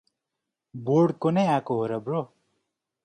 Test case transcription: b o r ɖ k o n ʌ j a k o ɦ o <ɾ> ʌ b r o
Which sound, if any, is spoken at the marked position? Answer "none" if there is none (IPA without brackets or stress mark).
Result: ɾ